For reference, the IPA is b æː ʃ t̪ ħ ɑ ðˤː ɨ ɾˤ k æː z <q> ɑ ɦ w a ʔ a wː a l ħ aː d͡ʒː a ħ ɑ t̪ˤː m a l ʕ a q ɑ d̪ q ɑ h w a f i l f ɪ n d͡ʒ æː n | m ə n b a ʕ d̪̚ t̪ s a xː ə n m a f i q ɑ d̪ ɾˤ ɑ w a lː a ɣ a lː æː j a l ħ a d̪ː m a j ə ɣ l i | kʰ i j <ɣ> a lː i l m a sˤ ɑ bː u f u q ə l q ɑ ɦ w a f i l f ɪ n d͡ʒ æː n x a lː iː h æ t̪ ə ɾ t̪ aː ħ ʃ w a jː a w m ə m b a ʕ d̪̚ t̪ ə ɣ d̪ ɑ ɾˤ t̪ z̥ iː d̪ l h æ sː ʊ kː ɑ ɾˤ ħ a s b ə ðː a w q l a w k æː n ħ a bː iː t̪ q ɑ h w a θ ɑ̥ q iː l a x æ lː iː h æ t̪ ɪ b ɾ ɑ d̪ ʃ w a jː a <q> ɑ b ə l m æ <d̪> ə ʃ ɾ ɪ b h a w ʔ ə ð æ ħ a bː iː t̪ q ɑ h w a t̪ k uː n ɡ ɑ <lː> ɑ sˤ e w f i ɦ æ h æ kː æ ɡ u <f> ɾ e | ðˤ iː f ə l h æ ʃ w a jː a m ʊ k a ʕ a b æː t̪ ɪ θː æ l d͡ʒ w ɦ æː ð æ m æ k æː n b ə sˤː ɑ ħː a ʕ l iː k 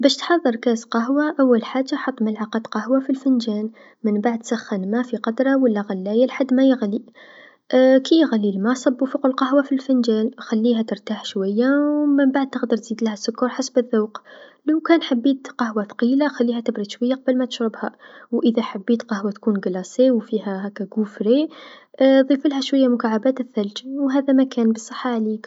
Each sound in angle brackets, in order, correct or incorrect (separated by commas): correct, correct, correct, incorrect, incorrect, correct